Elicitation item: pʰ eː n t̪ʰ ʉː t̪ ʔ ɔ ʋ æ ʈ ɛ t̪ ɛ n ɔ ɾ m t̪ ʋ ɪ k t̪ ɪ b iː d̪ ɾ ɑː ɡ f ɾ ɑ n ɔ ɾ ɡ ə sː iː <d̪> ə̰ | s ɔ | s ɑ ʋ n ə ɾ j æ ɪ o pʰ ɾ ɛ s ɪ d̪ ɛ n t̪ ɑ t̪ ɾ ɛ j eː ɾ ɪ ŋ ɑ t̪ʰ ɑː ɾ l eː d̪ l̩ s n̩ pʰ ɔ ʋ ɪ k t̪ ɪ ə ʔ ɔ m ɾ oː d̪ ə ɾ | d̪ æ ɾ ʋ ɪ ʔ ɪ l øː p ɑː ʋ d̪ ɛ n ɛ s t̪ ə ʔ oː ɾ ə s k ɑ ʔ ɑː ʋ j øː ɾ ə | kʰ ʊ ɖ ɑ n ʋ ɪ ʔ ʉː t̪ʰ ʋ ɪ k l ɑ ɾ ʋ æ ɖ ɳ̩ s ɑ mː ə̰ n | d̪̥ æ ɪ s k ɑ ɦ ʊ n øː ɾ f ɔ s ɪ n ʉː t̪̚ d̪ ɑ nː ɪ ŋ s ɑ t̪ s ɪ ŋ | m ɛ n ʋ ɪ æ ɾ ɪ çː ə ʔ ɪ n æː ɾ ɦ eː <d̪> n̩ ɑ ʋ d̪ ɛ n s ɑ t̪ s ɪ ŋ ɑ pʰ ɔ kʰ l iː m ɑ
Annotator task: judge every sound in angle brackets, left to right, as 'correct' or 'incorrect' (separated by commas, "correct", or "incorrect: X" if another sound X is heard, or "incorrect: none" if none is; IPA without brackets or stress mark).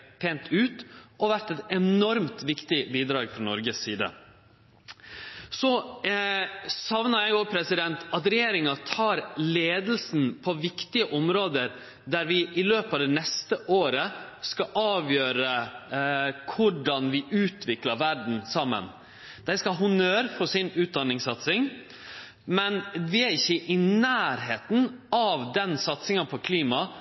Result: correct, incorrect: t̪